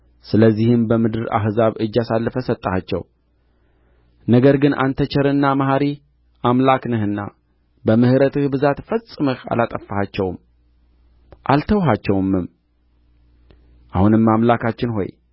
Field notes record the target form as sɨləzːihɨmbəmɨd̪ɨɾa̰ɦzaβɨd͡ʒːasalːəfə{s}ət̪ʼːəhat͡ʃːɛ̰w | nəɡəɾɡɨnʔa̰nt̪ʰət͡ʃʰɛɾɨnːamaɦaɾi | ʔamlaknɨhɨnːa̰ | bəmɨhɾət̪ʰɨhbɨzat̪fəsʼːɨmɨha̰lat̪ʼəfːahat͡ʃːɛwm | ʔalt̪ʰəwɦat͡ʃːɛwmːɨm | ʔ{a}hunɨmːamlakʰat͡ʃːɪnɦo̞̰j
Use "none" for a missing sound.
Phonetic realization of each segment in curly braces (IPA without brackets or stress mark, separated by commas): s, a